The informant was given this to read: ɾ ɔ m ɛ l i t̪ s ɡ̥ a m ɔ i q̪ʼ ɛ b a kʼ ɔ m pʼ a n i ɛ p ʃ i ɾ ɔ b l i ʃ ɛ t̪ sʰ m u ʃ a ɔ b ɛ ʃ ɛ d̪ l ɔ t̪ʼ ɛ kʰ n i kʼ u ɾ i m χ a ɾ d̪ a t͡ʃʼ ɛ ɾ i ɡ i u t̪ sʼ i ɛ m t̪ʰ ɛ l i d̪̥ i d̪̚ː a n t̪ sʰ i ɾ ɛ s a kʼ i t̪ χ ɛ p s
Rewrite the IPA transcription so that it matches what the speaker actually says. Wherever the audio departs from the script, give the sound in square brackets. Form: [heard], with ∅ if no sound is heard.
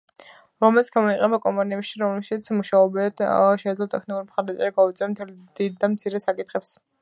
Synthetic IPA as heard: ɾ ɔ m ɛ l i t̪ s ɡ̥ a m ɔ i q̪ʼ ɛ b a kʼ ɔ m pʼ a n i ɛ p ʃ i ɾ ɔ [m] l [ɛ] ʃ [i] t̪ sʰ m u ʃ a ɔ b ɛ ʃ ɛ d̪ l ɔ t̪ʼ ɛ kʰ n i kʼ u ɾ i m χ a ɾ d̪ a t͡ʃʼ ɛ ɾ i ɡ [a] u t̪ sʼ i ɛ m t̪ʰ ɛ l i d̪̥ i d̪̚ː a [m] t̪ sʰ i ɾ ɛ s a kʼ i t̪ χ ɛ p s